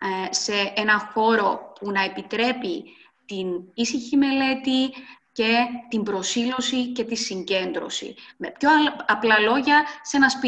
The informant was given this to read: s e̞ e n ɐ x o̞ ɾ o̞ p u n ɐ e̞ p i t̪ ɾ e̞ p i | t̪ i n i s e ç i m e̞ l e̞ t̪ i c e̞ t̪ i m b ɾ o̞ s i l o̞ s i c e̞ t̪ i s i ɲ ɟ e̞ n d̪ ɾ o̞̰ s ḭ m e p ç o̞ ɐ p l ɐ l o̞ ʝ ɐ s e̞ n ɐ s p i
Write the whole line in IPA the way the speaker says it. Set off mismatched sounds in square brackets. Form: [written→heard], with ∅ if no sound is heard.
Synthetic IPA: s e̞ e n ɐ x o̞ ɾ o̞ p u n ɐ e̞ p i t̪ ɾ e̞ p i | t̪ i n i s [e→i] ç i m e̞ l e̞ t̪ i c e̞ t̪ i m b ɾ o̞ s i l o̞ s i c e̞ t̪ i s i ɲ ɟ e̞ n d̪ ɾ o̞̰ s ḭ m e p ç o̞ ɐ p l ɐ l o̞ ʝ ɐ s e̞ n ɐ s p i